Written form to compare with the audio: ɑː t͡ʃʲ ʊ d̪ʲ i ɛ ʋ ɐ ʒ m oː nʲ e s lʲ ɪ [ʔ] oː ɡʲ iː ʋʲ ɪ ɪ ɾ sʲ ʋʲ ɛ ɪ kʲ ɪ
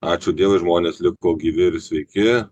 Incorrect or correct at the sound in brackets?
incorrect: k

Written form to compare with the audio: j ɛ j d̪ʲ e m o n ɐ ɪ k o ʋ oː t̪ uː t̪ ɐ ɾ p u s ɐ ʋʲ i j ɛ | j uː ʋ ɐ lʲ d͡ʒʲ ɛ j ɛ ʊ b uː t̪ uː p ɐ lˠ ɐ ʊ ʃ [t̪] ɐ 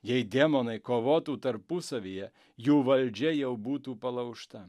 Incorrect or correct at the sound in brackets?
correct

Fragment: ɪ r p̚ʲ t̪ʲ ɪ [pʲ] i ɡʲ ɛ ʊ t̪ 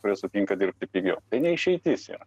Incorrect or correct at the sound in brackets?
correct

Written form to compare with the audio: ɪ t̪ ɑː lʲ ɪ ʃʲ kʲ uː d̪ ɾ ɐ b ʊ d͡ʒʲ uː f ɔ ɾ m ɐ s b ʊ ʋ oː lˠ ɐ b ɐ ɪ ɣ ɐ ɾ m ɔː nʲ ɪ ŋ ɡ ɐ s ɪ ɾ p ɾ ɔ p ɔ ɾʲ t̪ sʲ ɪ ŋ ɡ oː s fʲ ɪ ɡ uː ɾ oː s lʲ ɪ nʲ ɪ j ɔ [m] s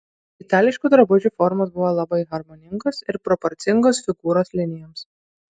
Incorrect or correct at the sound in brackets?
correct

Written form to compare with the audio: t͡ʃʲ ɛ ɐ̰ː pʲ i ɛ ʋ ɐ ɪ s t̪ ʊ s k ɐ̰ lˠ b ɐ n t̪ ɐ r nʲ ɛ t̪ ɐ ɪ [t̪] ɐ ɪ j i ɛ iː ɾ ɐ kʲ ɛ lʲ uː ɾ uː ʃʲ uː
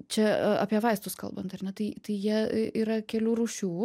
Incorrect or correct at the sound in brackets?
correct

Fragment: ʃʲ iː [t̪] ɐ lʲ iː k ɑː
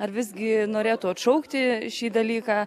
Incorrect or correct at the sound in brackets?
incorrect: d̪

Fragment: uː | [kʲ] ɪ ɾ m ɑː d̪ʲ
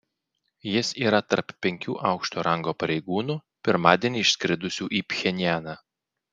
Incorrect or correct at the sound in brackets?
incorrect: pʲ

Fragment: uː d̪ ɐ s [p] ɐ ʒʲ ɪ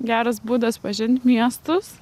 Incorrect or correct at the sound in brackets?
correct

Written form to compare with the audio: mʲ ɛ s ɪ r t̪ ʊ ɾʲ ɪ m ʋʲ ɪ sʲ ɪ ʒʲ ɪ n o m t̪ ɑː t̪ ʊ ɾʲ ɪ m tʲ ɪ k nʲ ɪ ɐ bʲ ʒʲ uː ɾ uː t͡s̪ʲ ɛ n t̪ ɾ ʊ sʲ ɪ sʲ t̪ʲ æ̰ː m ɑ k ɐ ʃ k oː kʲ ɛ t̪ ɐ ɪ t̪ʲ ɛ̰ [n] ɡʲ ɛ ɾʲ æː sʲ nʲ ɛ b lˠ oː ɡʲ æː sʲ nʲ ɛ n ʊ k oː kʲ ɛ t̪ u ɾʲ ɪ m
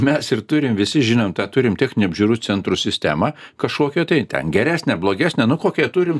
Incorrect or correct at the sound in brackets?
correct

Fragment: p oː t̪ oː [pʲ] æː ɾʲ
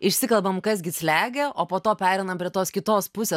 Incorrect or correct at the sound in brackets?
correct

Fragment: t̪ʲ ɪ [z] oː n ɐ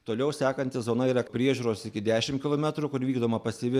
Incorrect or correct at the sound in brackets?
correct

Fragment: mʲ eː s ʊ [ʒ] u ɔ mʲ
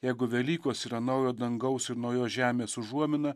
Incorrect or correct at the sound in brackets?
correct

